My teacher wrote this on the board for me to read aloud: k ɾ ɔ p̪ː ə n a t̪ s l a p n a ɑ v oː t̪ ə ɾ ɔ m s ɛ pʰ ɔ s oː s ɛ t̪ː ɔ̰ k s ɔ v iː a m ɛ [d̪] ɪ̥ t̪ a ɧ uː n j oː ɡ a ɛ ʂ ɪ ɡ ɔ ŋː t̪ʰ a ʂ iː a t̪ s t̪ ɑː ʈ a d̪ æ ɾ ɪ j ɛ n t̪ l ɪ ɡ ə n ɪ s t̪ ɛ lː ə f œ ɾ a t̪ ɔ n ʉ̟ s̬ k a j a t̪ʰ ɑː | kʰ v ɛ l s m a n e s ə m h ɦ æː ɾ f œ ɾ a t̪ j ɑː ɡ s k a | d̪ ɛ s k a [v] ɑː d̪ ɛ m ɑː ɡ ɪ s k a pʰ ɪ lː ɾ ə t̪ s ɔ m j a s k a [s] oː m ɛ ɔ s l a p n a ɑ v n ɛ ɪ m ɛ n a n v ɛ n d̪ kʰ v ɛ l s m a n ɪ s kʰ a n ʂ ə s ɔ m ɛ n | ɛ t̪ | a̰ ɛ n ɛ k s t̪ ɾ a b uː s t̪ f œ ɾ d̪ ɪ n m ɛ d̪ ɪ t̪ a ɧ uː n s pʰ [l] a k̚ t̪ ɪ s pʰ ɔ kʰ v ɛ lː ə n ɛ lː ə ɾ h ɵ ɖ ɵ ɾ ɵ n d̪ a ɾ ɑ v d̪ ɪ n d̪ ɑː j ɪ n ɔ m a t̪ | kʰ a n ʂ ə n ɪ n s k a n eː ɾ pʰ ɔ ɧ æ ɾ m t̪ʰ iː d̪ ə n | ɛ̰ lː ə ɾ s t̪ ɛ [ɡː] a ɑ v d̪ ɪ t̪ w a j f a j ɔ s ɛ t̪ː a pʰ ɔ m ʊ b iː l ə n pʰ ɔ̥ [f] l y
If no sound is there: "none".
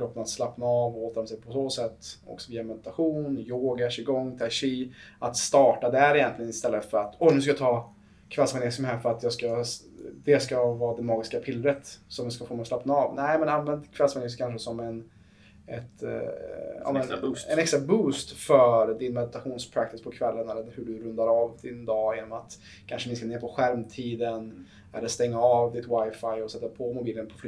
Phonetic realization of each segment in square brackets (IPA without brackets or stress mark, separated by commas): d̪, v, f, ɾ, ŋː, f